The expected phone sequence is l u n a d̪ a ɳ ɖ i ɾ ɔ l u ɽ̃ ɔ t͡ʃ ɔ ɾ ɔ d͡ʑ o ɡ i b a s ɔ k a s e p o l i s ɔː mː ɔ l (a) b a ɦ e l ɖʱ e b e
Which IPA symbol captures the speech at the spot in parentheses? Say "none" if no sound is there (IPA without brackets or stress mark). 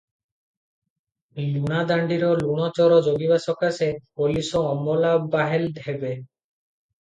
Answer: a